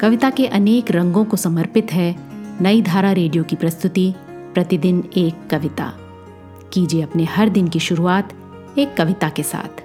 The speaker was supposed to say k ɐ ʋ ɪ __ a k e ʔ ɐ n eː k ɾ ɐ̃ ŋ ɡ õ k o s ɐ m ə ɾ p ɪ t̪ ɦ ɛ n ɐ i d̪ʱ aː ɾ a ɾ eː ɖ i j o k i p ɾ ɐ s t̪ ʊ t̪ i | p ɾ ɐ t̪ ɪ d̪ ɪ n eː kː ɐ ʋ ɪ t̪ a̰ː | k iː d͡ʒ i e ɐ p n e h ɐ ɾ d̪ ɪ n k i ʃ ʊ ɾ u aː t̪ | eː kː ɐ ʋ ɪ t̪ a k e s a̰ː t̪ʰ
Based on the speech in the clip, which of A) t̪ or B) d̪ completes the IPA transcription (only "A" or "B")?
A